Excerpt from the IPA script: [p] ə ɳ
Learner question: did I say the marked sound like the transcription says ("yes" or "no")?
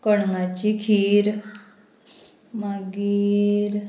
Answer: no